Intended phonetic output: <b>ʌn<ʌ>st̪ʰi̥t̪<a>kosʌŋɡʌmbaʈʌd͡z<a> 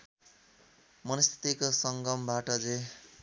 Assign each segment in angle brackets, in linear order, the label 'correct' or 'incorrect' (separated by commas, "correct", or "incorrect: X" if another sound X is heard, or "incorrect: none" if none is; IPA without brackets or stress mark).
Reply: incorrect: m, correct, incorrect: i, incorrect: e